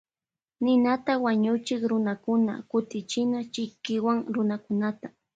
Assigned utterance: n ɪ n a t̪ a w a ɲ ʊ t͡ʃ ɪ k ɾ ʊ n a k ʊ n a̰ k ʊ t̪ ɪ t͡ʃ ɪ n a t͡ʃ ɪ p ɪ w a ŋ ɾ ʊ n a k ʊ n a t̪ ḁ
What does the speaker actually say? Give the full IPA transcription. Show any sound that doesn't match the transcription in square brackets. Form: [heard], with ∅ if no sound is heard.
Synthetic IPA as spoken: n ɪ n a t̪ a w a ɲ ʊ t͡ʃ ɪ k ɾ ʊ n a k ʊ n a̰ k ʊ t̪ ɪ t͡ʃ ɪ n a t͡ʃ ɪ [k] ɪ w a ŋ ɾ ʊ n a k ʊ n a t̪ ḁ